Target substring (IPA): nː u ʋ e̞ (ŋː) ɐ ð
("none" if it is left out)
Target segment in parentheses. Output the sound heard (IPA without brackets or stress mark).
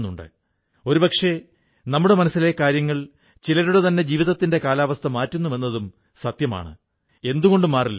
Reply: nː